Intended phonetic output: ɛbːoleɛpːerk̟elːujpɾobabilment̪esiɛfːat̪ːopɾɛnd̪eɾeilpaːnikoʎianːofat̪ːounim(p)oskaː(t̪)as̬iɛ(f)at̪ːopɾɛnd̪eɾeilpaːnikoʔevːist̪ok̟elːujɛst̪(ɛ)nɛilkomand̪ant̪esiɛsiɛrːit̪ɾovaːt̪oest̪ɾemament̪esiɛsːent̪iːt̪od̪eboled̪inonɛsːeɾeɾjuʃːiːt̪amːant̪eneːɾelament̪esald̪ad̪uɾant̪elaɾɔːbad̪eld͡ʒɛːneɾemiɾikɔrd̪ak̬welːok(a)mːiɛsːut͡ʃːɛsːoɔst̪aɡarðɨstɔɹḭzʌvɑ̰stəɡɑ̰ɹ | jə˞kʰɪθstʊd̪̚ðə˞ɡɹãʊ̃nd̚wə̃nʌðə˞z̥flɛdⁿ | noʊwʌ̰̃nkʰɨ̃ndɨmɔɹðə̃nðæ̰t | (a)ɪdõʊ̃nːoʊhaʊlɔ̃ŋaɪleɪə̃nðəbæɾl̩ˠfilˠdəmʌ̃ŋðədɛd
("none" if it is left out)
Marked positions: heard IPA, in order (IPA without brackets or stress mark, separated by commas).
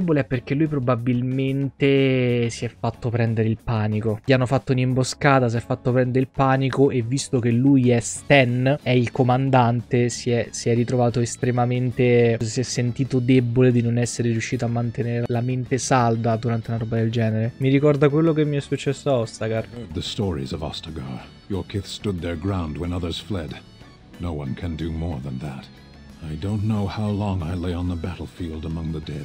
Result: b, t̪, fː, ɛ, e, a